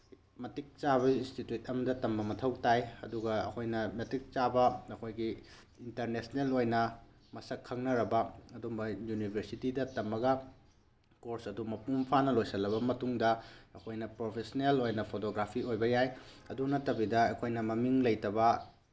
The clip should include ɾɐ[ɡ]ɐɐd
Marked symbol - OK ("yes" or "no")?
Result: no